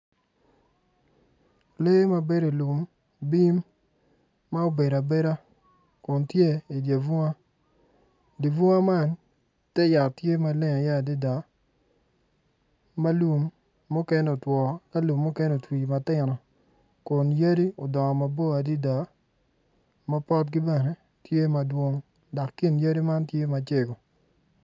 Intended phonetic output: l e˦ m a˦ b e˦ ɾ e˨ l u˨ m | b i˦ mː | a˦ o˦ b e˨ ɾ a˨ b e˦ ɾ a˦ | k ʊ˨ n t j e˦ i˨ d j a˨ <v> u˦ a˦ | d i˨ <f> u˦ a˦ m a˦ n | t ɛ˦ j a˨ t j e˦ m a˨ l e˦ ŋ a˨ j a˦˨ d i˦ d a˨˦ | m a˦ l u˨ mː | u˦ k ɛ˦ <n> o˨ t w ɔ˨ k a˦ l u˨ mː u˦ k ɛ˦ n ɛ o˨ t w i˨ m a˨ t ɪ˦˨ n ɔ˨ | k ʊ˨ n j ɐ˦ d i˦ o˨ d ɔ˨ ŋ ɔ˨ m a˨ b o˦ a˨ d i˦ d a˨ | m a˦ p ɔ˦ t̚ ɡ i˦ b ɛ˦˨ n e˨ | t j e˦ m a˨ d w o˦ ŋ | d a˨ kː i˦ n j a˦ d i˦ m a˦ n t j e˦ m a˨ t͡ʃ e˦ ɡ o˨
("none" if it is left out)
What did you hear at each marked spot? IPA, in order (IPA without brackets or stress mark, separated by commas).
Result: v, v, n